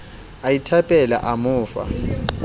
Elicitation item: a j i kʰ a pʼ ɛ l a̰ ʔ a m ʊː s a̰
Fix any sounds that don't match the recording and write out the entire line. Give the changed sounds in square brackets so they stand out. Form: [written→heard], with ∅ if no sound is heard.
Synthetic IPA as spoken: a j i [kʰ→tʰ] a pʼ ɛ l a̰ ʔ a m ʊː [s→f] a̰